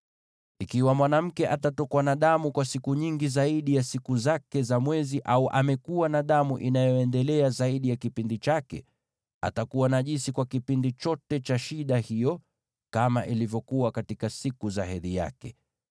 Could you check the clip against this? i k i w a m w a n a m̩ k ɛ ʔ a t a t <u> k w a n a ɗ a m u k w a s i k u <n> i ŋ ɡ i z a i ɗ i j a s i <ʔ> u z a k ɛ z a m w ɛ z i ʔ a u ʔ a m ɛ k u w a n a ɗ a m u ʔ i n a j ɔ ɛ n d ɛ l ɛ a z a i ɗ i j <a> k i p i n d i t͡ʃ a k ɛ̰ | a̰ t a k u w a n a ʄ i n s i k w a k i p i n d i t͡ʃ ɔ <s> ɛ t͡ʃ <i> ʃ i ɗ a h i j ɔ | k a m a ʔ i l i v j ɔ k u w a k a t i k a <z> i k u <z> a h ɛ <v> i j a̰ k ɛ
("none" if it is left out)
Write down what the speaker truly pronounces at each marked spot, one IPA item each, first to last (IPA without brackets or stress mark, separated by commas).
ɔ, ɲ, k, a, t, a, s, z, ð